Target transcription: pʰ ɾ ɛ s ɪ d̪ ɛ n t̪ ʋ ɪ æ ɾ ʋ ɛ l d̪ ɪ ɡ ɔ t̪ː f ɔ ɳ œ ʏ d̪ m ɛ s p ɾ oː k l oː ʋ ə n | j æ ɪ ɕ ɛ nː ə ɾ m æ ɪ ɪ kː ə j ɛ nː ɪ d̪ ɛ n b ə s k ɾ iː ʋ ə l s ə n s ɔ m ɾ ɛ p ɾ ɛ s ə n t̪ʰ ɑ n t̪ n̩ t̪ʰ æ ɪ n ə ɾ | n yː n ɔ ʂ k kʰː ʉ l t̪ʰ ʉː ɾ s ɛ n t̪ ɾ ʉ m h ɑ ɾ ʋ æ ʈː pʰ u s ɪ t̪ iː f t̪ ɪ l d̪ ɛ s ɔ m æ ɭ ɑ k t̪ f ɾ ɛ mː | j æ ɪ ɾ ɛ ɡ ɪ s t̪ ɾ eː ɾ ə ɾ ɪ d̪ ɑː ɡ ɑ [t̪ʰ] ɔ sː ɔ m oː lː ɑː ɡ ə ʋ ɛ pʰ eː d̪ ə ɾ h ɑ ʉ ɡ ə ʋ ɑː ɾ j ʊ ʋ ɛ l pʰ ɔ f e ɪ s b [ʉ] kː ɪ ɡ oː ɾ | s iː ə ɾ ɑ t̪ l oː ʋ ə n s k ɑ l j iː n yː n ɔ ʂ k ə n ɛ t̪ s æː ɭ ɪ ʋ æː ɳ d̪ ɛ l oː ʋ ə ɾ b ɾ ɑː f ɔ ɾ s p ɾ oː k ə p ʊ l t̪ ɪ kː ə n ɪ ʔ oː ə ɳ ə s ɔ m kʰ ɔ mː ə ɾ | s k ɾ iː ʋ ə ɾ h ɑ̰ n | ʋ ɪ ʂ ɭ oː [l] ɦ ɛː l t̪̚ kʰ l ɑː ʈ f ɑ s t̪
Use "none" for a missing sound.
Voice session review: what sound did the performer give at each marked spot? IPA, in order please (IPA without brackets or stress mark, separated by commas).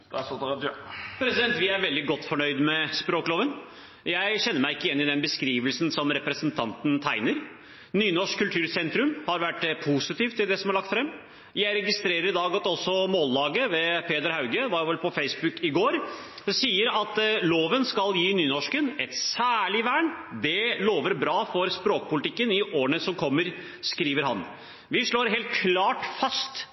t̪, ʉ, ɾ